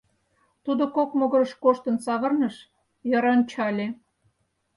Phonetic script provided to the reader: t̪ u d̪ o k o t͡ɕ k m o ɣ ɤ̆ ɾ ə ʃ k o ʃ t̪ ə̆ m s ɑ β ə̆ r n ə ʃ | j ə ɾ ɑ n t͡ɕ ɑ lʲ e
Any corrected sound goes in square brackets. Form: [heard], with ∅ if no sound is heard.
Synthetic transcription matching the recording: t̪ u d̪ o k o [∅] k m o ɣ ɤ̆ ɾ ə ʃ k o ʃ t̪ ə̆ [n] s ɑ β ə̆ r n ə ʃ | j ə ɾ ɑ n t͡ɕ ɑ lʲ e